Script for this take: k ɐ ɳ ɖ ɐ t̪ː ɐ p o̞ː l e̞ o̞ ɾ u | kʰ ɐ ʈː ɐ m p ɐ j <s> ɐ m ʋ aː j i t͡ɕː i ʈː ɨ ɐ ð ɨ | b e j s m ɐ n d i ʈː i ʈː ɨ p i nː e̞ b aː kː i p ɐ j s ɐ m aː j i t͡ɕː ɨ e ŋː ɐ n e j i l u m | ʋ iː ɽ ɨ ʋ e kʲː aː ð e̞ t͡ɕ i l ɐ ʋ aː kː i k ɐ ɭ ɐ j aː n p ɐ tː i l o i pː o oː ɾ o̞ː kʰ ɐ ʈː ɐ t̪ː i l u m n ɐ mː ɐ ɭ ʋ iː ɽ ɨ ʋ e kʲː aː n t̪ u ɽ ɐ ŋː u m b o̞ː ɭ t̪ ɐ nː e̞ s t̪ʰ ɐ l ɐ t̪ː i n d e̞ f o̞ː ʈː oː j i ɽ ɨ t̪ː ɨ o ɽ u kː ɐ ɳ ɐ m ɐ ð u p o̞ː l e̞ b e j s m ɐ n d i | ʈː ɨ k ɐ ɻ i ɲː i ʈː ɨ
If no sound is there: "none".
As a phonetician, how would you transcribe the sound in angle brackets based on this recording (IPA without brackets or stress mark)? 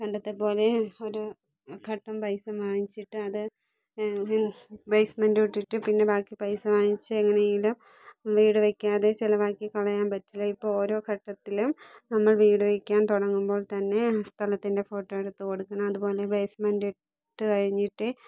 s